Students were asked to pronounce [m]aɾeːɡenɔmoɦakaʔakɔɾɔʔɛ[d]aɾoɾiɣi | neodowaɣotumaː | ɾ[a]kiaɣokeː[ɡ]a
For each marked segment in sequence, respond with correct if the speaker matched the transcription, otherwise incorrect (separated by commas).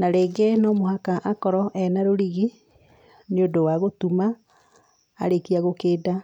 incorrect, incorrect, incorrect, incorrect